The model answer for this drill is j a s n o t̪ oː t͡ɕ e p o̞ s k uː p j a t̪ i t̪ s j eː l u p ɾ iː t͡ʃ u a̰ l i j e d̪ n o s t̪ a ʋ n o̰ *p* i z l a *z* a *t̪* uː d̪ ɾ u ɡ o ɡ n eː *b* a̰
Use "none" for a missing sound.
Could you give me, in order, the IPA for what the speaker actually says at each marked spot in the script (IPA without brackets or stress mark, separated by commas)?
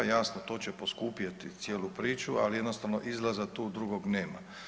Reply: ʔ, z, t̪, m